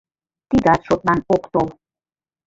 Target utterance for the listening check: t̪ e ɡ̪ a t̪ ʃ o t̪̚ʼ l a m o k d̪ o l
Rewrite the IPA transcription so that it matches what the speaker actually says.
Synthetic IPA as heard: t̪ i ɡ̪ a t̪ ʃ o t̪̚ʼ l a n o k t̪ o l